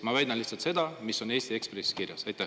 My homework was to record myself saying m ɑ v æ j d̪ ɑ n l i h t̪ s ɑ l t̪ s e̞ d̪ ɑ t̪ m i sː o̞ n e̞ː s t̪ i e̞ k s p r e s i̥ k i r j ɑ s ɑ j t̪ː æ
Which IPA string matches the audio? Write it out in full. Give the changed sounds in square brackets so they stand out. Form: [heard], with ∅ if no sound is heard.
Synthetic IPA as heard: m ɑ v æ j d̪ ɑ n l i h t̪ s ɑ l t̪ s e̞ d̪ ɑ [∅] m i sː o̞ n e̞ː s t̪ i e̞ k s p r e s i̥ k i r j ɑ s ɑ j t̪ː æ